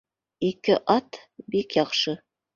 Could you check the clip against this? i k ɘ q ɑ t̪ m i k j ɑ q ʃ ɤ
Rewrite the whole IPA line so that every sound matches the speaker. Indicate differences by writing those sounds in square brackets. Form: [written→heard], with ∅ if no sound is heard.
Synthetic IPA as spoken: i k ɘ [q→ʔ] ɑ t̪ [m→b] i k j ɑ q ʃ ɤ